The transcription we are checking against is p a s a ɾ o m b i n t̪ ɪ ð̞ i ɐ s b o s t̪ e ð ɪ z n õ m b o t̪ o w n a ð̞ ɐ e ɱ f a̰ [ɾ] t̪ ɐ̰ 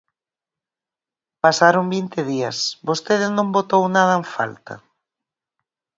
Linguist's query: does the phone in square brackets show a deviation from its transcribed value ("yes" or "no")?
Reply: yes